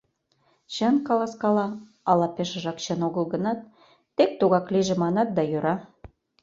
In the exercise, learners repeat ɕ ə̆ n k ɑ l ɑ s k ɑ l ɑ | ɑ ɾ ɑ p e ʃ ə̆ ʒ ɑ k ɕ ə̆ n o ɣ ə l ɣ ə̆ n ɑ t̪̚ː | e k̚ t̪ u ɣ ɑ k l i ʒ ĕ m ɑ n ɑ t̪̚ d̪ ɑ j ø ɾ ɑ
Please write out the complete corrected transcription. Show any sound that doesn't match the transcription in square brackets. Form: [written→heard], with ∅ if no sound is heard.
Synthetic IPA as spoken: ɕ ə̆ n k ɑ l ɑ s k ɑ l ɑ | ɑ [ɾ→l] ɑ p e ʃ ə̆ ʒ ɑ k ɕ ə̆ n o ɣ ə l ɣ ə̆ n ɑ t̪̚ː | e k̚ t̪ u ɣ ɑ k l i ʒ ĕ m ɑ n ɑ t̪̚ d̪ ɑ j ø ɾ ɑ